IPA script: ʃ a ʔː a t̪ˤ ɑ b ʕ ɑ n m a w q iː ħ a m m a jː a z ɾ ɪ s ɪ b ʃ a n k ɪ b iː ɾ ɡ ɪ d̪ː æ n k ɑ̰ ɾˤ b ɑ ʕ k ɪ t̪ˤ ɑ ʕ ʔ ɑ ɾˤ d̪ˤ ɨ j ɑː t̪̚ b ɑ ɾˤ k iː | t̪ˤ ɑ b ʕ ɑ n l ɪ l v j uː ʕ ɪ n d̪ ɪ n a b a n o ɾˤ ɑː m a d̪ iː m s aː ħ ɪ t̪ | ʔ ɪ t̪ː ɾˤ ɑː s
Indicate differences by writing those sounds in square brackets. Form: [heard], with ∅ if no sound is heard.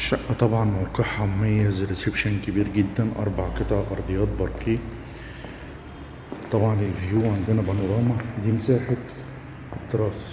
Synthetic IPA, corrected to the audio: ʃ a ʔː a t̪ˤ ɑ b ʕ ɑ n m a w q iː ħ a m m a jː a z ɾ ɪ s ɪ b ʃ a n k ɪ b iː ɾ ɡ ɪ d̪ː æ n [ʔ] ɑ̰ ɾˤ b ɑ ʕ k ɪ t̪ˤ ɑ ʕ ʔ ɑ ɾˤ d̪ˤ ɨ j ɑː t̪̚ b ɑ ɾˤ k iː | t̪ˤ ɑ b ʕ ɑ n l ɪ l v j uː ʕ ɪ n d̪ ɪ n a b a n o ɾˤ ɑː m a d̪ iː m s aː ħ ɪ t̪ | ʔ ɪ t̪ː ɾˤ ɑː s